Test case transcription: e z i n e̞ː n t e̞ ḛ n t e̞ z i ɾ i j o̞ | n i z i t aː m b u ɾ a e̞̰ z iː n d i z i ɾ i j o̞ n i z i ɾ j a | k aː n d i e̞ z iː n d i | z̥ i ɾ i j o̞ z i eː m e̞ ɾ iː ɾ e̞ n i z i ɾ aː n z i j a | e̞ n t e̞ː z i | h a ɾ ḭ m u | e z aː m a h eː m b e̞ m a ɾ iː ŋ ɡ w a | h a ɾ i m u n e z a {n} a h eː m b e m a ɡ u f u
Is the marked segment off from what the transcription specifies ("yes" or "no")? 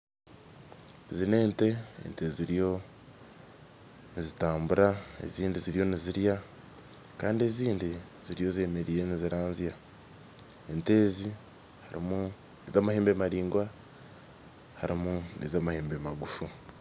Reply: yes